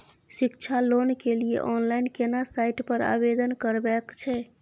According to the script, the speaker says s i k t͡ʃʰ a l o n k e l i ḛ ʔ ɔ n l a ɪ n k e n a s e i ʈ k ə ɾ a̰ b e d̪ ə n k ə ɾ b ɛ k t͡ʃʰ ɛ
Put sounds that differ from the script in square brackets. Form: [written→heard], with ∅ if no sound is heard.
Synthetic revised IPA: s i k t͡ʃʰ a l o n k e l i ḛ ʔ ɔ n l a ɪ n k e n a s [e→a] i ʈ [k→p] ə ɾ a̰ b e d̪ ə n k ə ɾ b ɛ k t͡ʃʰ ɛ